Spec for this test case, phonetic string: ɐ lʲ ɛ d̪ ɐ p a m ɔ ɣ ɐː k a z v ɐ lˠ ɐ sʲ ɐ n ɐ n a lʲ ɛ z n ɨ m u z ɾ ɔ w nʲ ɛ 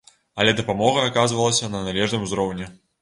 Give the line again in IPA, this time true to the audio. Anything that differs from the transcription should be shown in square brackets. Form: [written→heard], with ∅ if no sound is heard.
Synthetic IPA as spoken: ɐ lʲ ɛ d̪ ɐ p a m ɔ ɣ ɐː k a z v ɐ lˠ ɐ sʲ ɐ n ɐ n a lʲ ɛ [z→ʐ] n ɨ m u z ɾ ɔ w nʲ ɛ